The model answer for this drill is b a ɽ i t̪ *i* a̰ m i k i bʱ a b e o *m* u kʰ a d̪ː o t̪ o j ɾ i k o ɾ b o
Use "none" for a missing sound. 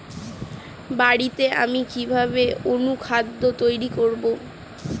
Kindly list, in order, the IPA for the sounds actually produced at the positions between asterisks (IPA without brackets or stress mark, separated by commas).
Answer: e, n